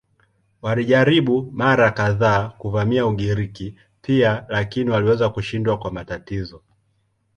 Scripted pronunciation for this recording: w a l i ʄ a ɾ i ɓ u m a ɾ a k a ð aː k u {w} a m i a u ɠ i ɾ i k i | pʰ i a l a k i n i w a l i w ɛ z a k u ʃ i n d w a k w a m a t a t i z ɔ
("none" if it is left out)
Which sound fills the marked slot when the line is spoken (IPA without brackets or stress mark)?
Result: v